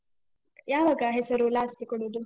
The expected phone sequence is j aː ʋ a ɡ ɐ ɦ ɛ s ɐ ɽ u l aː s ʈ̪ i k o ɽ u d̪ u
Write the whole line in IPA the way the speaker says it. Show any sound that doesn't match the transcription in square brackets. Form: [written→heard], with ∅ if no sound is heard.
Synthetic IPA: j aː ʋ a ɡ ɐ ɦ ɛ s ɐ [ɽ→ɾ] u l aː s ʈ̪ i k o ɽ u d̪ u